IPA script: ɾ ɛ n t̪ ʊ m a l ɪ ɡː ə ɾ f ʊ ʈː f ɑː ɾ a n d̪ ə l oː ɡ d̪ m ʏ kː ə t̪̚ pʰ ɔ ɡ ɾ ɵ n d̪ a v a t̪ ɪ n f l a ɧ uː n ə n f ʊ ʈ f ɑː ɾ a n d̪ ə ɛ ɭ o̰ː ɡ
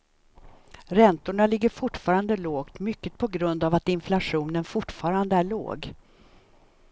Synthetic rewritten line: ɾ ɛ n t̪ ʊ ɳ a l ɪ ɡː ə ɾ f ʊ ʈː f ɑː ɾ a n d̪ ə l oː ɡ t̪ m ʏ kː ə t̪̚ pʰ ɔ ɡ ɾ ɵ n d̪ a v a t̪ ɪ n f l a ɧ uː n ə n f ʊ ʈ f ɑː ɾ a n d̪ ə æ ɭ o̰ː ɡ